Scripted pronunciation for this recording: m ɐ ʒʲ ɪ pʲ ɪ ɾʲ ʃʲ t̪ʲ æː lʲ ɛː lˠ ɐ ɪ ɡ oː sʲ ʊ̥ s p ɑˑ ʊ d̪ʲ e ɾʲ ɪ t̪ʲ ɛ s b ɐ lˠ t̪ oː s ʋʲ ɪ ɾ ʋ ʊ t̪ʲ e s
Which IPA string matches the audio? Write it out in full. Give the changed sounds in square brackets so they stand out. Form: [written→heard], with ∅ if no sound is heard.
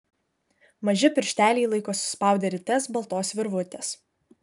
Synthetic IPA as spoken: m ɐ ʒʲ ɪ pʲ ɪ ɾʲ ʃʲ t̪ʲ æː lʲ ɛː lˠ ɐ ɪ [ɡ→k] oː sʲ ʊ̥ s p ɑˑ ʊ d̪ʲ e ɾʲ ɪ t̪ʲ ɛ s b ɐ lˠ t̪ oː s ʋʲ ɪ ɾ ʋ ʊ t̪ʲ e s